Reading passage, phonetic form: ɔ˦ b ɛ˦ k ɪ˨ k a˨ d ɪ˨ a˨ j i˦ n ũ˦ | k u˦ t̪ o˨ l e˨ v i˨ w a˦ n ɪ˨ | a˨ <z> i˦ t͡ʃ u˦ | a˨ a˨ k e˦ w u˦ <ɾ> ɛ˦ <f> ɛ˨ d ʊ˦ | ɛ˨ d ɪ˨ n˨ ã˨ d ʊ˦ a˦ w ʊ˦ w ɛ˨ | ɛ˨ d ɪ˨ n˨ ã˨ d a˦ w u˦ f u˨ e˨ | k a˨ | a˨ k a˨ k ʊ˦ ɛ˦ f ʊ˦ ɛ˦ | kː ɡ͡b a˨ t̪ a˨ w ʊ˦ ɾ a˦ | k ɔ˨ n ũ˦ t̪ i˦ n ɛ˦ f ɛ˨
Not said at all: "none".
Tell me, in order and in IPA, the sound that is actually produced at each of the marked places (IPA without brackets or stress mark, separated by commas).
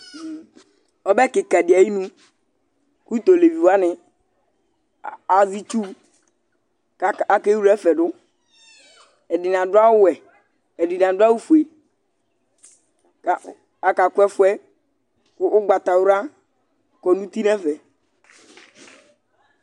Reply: z, ɾ, f